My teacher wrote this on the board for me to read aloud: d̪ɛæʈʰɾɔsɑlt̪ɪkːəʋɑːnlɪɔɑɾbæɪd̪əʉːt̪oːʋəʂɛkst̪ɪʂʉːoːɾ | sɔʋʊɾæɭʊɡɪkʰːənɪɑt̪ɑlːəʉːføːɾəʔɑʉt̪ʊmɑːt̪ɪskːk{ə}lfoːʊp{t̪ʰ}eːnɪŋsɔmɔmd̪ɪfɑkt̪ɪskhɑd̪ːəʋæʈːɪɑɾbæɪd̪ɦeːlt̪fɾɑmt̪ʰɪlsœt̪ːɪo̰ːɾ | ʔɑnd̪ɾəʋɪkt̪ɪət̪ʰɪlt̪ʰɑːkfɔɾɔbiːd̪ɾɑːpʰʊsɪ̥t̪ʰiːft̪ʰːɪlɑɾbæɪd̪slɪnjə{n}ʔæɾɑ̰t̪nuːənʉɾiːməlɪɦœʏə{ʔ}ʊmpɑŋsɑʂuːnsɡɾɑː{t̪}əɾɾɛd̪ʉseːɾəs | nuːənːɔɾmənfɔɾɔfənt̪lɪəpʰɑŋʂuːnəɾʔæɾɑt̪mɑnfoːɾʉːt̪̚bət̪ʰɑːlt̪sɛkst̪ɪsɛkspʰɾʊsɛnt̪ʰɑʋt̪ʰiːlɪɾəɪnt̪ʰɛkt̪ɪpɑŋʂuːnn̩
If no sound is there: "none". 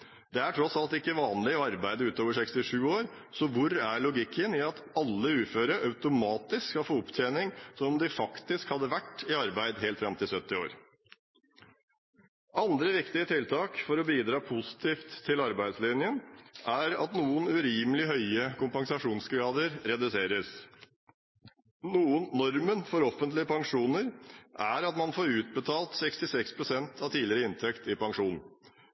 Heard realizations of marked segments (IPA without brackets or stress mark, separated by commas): ɑ, t̪ʰ, n, k, d̪